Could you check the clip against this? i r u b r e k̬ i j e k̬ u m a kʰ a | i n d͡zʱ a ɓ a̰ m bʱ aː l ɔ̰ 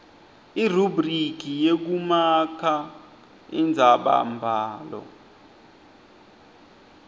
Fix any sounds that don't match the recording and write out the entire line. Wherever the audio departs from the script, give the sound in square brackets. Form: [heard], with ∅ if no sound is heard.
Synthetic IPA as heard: i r u b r [i] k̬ i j e k̬ u m a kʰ a | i n d͡zʱ a ɓ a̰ m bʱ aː l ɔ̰